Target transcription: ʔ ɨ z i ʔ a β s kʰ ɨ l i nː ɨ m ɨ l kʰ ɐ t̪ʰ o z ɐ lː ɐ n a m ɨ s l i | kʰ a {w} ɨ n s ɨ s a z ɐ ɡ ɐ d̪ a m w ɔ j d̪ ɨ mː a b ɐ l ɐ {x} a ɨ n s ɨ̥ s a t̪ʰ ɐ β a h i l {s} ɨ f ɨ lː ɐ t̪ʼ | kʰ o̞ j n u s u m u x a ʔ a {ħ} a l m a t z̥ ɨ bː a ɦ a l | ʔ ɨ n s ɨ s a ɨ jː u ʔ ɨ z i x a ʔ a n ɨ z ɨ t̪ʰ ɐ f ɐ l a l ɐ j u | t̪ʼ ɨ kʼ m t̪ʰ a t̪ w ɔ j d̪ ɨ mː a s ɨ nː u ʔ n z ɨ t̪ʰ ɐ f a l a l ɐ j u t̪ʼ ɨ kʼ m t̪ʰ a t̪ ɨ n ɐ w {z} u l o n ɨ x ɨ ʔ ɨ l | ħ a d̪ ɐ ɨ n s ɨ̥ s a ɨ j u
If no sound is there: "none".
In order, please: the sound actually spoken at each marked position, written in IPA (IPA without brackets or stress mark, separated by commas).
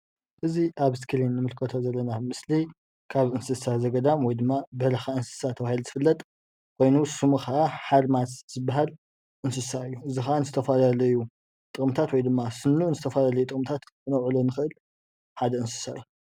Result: β, x, z, ħ, ʕ